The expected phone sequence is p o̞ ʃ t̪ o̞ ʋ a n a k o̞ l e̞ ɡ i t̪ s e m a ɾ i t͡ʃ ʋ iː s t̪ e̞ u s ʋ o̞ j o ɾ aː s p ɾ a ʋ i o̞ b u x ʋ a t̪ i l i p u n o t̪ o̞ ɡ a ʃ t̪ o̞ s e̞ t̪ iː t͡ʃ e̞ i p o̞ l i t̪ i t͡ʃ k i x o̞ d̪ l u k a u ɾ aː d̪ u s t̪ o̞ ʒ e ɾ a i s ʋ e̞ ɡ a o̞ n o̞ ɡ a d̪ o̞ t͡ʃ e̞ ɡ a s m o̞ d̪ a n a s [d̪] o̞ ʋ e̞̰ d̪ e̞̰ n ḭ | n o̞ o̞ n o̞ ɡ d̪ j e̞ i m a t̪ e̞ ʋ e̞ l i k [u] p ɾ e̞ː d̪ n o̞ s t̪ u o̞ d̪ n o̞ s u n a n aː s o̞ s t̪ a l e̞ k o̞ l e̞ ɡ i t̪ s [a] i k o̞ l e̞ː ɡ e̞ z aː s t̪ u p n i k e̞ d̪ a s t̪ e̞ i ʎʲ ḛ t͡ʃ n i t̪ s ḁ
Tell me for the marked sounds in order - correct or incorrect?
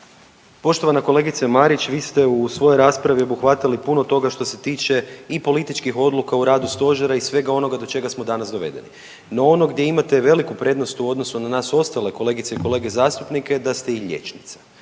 correct, correct, incorrect: e

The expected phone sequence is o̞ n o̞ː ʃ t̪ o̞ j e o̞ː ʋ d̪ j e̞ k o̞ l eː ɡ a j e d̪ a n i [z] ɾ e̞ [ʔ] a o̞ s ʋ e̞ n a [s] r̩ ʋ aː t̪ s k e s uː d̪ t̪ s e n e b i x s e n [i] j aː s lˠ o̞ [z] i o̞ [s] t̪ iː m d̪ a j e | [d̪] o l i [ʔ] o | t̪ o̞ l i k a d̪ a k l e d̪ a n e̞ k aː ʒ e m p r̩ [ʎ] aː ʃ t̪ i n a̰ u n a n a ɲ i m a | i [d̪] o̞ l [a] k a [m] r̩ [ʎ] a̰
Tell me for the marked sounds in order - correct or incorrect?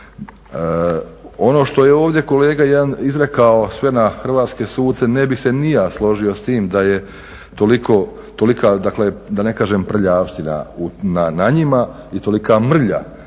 correct, incorrect: k, incorrect: x, correct, incorrect: ʒ, correct, incorrect: t̪, incorrect: k, correct, incorrect: t̪, incorrect: i, correct, correct

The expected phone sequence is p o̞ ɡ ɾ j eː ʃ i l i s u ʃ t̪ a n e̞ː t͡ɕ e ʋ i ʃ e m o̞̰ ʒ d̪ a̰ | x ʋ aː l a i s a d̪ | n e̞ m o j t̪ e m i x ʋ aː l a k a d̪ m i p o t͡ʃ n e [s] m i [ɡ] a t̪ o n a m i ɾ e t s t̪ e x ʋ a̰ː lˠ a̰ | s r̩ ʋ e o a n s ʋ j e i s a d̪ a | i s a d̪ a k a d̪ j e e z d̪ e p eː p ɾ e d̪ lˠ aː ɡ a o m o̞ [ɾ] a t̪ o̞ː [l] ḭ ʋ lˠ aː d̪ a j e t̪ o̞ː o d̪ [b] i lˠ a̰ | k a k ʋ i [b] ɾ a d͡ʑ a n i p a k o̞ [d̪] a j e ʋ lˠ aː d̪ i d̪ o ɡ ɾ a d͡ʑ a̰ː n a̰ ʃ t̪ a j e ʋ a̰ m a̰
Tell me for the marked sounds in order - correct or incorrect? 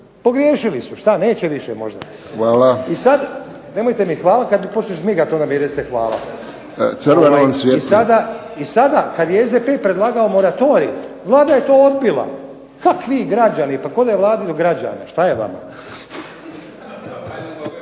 incorrect: ʃ, correct, correct, incorrect: ɾ, correct, incorrect: ɡ, correct

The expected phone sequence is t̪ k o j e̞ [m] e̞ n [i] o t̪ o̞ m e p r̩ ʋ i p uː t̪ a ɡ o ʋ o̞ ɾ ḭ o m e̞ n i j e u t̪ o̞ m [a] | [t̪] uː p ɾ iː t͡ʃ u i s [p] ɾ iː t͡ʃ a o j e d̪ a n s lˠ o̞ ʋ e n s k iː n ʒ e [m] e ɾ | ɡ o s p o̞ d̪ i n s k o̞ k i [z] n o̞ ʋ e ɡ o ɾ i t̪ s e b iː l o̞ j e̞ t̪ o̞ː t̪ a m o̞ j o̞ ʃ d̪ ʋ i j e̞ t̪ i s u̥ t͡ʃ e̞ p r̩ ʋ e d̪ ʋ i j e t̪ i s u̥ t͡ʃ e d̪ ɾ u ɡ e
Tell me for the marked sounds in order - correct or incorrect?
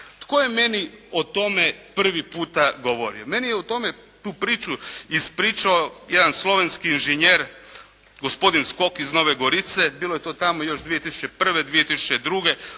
correct, correct, incorrect: e, correct, correct, incorrect: ɲ, correct

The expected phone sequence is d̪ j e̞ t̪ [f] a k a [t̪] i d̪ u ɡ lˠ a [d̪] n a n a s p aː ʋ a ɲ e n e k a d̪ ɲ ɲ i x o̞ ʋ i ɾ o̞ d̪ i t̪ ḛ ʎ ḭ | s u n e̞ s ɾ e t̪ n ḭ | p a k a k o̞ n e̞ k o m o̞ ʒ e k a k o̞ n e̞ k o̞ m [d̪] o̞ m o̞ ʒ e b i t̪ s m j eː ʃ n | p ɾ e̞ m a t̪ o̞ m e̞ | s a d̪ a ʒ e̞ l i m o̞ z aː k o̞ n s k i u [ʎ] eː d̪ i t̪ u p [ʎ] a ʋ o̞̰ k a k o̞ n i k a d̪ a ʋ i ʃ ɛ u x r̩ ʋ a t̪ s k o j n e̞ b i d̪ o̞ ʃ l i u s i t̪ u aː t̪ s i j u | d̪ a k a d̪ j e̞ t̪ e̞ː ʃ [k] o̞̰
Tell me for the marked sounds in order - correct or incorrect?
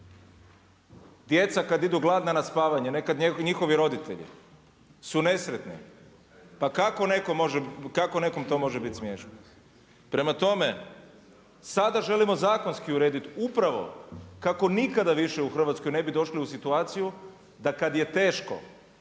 incorrect: s, incorrect: d̪, correct, incorrect: t̪, incorrect: ɾ, incorrect: ɾ, correct

